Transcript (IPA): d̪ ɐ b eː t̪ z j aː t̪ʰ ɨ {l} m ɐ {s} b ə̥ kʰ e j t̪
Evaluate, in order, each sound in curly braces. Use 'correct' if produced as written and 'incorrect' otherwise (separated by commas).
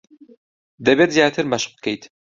incorrect, incorrect